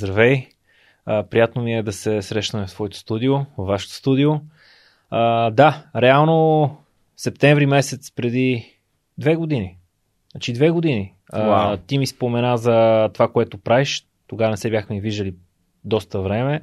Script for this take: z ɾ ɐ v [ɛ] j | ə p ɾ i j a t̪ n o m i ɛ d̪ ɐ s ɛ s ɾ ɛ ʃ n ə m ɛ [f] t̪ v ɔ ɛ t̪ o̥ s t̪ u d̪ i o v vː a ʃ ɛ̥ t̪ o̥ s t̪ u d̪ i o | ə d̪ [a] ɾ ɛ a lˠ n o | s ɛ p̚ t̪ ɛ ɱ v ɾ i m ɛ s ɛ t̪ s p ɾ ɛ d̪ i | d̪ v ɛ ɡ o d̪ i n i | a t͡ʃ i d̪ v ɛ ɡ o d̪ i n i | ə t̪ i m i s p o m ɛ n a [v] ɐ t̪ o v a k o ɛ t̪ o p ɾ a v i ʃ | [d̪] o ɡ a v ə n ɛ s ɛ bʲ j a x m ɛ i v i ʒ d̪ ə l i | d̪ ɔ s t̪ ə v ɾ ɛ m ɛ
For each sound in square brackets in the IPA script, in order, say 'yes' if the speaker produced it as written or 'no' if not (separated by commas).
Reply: yes, yes, yes, no, no